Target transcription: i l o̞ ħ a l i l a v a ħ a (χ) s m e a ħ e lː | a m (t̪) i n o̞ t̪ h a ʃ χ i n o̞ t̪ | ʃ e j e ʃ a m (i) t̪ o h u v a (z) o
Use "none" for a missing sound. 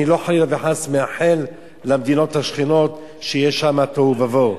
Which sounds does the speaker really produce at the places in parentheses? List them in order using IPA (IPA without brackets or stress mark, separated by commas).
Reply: none, d̪, a, v